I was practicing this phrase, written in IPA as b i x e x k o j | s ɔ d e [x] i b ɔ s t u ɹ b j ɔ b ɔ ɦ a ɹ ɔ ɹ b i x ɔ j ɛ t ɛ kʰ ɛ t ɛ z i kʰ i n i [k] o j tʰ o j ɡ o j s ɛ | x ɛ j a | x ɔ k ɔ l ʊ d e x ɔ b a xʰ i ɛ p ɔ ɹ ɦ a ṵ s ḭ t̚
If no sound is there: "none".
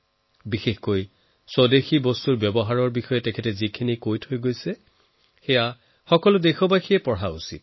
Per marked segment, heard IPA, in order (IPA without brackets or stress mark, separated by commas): x, k